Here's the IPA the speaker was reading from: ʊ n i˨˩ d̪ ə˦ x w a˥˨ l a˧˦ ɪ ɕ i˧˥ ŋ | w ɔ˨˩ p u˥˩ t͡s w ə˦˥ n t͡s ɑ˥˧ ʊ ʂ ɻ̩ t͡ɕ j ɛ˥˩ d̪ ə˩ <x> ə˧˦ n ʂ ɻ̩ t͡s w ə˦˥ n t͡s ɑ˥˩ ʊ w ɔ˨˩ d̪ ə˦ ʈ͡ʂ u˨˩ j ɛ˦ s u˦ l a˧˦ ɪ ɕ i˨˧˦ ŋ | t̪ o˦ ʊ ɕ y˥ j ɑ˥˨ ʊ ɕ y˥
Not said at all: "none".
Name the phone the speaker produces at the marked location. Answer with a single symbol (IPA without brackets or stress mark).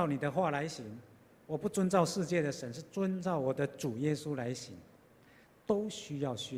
ʂ